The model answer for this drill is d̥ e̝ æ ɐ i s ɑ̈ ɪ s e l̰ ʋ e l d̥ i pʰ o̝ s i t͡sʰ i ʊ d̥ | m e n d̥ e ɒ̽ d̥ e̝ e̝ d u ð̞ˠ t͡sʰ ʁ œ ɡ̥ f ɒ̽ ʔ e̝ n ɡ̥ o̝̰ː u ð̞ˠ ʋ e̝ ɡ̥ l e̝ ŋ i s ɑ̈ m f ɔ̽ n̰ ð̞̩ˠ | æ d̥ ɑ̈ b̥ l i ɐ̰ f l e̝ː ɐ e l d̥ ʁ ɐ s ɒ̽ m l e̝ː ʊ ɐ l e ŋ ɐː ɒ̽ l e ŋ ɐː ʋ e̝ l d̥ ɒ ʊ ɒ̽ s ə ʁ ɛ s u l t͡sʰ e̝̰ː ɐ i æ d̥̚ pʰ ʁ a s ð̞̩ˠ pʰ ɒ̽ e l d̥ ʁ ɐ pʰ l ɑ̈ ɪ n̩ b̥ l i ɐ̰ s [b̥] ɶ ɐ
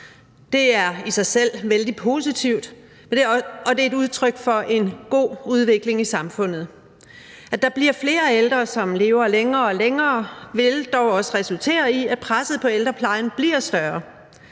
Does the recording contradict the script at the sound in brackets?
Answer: yes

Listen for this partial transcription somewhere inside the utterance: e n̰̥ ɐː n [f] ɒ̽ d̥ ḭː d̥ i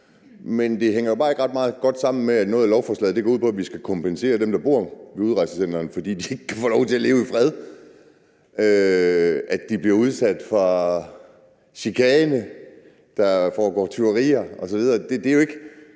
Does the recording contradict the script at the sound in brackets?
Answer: no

